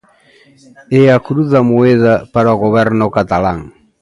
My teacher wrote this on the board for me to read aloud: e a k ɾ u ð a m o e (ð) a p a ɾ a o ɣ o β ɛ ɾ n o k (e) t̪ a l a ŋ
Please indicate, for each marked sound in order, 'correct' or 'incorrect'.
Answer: correct, incorrect: a

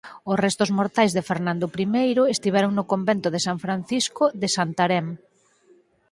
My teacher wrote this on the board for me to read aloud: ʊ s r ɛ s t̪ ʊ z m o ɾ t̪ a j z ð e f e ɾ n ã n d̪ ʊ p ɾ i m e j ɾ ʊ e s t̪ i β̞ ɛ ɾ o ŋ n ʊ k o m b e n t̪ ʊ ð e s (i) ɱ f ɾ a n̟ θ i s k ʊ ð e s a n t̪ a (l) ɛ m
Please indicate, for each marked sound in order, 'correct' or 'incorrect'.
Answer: incorrect: a, incorrect: ɾ

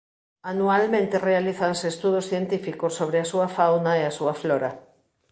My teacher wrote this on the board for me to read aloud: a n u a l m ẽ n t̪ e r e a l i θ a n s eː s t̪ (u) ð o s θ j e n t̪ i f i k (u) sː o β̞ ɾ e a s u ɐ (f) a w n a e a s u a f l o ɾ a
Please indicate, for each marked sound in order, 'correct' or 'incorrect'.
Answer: correct, incorrect: o, correct

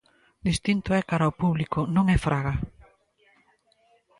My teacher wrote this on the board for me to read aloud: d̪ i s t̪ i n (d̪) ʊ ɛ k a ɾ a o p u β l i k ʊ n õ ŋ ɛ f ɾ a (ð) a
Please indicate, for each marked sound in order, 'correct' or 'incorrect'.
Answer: incorrect: t̪, incorrect: ɣ

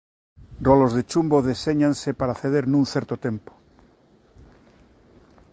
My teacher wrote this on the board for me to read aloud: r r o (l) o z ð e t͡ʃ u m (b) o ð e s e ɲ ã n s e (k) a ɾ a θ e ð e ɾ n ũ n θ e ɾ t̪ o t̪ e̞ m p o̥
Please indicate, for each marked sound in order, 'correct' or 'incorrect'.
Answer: correct, correct, incorrect: p

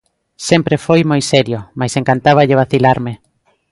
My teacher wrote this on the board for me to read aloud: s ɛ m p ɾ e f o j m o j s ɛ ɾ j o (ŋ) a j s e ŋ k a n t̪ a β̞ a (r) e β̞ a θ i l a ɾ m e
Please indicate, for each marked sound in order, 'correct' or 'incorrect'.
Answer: incorrect: m, incorrect: ʎ

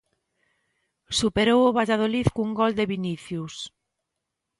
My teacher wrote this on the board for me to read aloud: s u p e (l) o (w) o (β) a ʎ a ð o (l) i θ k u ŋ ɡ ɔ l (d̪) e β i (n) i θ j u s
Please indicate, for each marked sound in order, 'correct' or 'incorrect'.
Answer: incorrect: ɾ, correct, correct, correct, correct, correct

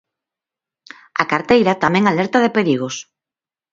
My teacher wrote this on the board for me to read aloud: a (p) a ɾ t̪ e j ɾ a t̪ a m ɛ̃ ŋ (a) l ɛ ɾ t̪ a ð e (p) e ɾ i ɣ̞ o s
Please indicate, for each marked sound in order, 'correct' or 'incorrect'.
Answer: incorrect: k, correct, correct

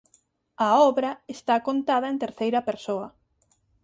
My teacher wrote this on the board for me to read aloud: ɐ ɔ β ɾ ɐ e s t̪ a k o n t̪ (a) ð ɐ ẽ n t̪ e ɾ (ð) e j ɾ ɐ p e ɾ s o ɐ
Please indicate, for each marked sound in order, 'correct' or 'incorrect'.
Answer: correct, incorrect: θ

